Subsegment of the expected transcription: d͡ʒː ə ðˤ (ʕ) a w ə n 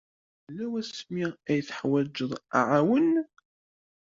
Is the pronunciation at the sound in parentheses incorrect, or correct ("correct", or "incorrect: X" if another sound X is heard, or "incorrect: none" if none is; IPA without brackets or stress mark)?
correct